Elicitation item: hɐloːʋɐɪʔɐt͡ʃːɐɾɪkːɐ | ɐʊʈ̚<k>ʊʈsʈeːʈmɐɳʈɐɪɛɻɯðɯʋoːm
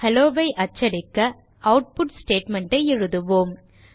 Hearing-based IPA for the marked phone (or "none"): p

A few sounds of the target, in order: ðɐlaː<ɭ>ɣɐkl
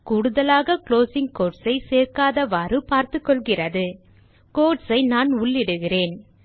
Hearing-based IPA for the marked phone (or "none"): none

